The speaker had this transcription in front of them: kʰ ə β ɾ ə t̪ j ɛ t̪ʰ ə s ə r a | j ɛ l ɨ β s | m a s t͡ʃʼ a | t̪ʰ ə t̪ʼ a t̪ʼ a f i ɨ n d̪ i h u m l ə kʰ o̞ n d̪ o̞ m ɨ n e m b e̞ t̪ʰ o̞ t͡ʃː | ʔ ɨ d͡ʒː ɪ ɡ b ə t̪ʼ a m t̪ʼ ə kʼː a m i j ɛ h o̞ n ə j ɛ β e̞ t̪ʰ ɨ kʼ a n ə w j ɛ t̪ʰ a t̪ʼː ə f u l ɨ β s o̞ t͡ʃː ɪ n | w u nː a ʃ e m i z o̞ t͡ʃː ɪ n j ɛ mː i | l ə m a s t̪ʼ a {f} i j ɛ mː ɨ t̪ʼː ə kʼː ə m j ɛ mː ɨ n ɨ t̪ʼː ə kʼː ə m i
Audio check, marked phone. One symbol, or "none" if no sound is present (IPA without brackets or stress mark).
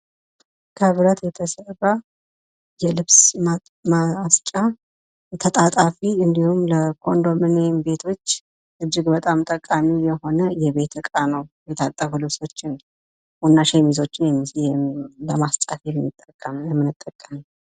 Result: f